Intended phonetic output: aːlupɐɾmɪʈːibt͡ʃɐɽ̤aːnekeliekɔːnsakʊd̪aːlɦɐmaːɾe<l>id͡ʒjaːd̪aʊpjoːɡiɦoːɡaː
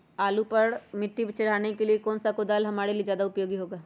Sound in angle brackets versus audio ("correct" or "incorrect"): correct